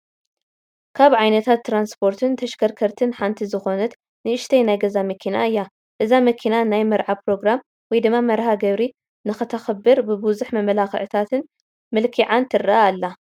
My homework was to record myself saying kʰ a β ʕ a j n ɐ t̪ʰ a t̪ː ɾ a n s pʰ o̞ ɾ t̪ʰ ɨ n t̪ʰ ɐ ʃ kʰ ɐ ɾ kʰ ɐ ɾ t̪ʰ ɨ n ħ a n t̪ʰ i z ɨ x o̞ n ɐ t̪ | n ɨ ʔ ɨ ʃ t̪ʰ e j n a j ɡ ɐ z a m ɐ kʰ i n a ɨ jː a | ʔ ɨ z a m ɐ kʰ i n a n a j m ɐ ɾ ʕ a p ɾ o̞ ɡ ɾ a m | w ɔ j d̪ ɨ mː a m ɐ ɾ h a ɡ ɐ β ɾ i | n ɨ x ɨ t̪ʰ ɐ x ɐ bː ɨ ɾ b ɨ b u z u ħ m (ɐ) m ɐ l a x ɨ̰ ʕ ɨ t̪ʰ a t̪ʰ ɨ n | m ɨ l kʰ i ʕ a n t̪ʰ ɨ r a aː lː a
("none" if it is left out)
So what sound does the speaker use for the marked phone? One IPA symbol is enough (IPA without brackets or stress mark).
ɐ